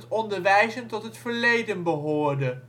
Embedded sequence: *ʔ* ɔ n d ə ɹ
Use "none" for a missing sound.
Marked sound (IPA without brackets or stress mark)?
t